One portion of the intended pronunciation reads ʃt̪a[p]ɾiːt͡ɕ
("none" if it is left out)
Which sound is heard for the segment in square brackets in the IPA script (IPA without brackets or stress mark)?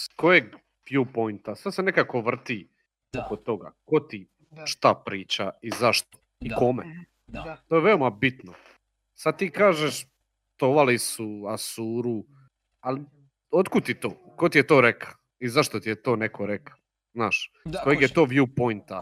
p